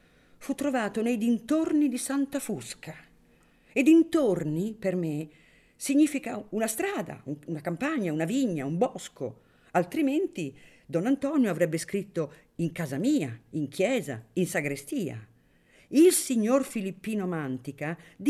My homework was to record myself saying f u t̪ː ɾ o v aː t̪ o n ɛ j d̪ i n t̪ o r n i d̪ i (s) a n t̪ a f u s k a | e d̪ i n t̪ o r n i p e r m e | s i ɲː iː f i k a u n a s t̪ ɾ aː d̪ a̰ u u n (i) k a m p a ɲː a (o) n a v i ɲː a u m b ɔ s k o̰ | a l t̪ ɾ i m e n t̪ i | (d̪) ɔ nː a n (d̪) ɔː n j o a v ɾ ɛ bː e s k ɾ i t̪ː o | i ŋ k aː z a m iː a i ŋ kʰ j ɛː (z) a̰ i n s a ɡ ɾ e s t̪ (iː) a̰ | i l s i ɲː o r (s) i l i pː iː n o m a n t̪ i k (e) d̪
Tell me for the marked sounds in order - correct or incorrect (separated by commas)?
correct, incorrect, incorrect, correct, incorrect, correct, correct, incorrect, incorrect